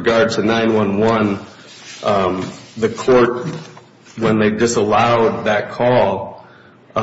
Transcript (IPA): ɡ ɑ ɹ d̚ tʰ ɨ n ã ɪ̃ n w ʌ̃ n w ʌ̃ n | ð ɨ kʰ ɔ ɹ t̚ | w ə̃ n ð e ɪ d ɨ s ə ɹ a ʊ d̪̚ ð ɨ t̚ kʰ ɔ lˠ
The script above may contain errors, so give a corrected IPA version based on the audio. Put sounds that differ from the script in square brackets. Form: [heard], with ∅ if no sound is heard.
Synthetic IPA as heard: ɡ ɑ ɹ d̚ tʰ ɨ n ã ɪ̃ n w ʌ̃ n w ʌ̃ n | ð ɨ kʰ ɔ ɹ t̚ | w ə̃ n ð e ɪ d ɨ s ə [l] a ʊ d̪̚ ð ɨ t̚ kʰ ɔ lˠ